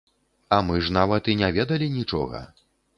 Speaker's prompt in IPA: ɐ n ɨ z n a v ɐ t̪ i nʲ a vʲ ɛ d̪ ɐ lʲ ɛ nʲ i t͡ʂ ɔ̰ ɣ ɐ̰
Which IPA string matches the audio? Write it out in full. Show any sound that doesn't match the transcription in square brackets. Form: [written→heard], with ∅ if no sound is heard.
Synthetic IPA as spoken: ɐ [n→m] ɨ [z→ʐ] n a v ɐ t̪ i nʲ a vʲ ɛ d̪ ɐ lʲ [ɛ→i] nʲ i t͡ʂ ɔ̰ ɣ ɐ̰